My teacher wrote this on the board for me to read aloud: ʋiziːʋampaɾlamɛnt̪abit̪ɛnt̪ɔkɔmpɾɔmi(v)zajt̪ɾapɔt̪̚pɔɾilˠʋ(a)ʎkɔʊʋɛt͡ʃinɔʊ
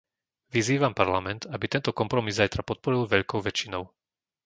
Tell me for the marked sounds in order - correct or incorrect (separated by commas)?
incorrect, incorrect